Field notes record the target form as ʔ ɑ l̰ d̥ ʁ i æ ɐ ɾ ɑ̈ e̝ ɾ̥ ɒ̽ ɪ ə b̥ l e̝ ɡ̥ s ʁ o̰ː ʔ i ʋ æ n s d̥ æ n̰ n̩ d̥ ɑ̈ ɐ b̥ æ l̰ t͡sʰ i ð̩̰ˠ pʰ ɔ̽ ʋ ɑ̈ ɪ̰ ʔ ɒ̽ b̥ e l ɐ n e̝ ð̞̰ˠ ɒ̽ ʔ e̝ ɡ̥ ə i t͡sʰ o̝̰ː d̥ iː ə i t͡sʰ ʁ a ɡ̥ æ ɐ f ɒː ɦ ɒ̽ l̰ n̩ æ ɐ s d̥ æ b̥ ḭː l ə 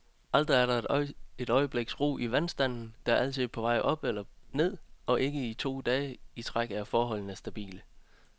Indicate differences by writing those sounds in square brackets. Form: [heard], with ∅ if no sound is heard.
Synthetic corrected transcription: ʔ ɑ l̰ d̥ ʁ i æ ɐ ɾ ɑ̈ e̝ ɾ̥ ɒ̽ ɪ ə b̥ l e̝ ɡ̥ s ʁ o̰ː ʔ i ʋ æ n s d̥ æ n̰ n̩ d̥ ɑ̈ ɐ [∅] æ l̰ t͡sʰ i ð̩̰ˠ pʰ [ɒ̽] ʋ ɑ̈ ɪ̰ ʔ ɒ̽ b̥ e l ɐ n e̝ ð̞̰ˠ ɒ̽ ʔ e̝ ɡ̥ ə i t͡sʰ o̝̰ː d̥ [ɛː] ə i t͡sʰ ʁ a ɡ̥ æ ɐ f ɒː ɦ ɒ̽ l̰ n̩ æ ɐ s d̥ æ b̥ ḭː l ə